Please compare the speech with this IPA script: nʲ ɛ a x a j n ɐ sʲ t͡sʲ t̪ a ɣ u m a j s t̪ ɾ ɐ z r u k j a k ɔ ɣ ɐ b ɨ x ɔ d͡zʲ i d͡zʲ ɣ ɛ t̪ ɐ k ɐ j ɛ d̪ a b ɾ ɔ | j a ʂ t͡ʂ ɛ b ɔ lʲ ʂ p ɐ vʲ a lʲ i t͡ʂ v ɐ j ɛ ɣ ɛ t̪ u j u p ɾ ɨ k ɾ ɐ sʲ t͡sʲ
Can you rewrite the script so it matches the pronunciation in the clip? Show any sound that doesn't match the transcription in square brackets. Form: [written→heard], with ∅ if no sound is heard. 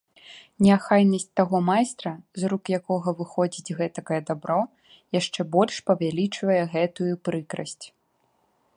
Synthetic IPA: nʲ ɛ a x a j n ɐ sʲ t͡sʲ t̪ a ɣ [u→ɔ] m a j s t̪ ɾ ɐ z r u k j a k ɔ ɣ ɐ [b→v] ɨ x ɔ d͡zʲ i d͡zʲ ɣ ɛ t̪ ɐ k ɐ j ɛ d̪ a b ɾ ɔ | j a ʂ t͡ʂ ɛ b ɔ lʲ ʂ p ɐ vʲ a lʲ i t͡ʂ v ɐ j ɛ ɣ ɛ t̪ u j u p ɾ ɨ k ɾ ɐ sʲ t͡sʲ